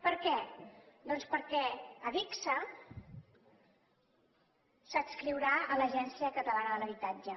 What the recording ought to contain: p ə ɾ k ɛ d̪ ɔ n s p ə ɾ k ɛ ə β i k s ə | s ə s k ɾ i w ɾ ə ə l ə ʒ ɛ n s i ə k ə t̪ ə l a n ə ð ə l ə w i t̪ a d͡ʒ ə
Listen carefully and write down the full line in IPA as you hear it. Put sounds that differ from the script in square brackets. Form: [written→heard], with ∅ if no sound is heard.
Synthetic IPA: p ə ɾ k ɛ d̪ ɔ n s p ə ɾ k ɛ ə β i k s ə | s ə s k ɾ i w ɾ [ə→a] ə l ə ʒ ɛ n s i ə k ə t̪ ə l a n ə ð ə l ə [w→β] i t̪ a d͡ʒ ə